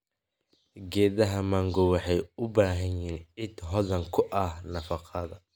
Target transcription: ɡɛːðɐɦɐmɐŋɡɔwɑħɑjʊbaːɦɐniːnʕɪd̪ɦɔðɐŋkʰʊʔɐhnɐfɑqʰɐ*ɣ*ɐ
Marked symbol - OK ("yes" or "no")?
no